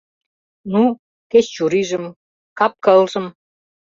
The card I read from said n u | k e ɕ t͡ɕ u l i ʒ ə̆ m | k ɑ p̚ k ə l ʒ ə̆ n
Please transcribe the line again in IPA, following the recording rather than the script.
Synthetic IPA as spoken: n u | k e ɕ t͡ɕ u ɾ i ʒ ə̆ m | k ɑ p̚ k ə l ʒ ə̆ m